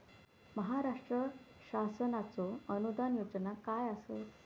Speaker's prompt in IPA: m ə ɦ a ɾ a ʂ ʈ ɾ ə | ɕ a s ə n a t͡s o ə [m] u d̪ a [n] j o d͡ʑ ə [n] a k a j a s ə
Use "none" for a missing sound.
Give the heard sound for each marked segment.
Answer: n, n, n

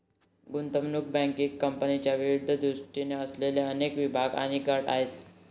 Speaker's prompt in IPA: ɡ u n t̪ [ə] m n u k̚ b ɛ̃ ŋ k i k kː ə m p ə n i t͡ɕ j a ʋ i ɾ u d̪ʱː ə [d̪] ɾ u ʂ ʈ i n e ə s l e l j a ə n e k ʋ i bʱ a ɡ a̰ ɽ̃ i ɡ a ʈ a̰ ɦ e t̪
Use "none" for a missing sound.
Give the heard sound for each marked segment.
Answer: ə, d̪

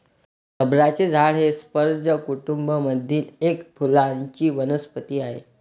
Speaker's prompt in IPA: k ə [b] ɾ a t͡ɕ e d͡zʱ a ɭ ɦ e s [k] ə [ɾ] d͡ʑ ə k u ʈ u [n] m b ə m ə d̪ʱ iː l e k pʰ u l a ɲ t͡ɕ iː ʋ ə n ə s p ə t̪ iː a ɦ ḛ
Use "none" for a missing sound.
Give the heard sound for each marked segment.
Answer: b, p, ɾ, none

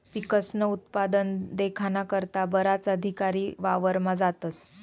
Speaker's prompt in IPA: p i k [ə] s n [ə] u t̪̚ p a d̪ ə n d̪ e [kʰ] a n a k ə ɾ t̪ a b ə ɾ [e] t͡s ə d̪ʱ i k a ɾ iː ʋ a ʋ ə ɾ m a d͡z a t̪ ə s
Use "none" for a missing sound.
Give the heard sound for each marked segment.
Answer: ə, ə, kʰ, a

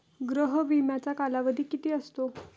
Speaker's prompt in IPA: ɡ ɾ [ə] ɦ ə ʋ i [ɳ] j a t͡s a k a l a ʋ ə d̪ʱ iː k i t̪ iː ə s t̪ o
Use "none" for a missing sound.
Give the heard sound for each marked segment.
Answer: ə, m

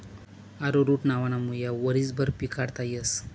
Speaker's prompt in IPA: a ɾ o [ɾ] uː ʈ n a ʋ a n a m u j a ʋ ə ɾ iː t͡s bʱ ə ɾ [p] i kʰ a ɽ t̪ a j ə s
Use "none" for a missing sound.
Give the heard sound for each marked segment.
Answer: ɾ, p

